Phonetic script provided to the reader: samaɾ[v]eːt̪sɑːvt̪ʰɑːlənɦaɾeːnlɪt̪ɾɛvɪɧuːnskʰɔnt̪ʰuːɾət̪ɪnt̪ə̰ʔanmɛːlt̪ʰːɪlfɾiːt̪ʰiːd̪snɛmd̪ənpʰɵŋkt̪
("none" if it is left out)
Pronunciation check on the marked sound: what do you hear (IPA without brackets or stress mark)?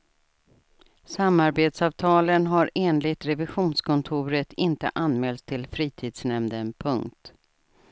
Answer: b